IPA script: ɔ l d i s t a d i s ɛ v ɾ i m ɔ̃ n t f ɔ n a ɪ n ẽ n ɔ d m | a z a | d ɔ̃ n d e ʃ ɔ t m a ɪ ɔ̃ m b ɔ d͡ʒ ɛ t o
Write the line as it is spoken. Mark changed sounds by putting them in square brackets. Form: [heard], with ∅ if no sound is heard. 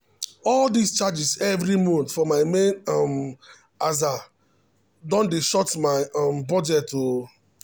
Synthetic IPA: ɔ l d i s [t͡ʃ] a [d͡ʒ] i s ɛ v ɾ i m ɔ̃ n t f ɔ [m] a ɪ [m] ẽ n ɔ [∅] m | a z a | d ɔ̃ n d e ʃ ɔ t m a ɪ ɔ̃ m b ɔ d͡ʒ ɛ t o